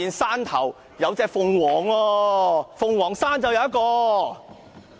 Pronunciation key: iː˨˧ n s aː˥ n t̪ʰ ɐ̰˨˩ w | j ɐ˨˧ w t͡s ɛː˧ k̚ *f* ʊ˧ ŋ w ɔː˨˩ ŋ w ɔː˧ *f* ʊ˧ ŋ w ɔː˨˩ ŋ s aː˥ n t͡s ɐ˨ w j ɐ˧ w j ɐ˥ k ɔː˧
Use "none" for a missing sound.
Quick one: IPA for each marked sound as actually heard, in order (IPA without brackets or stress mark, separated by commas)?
f, f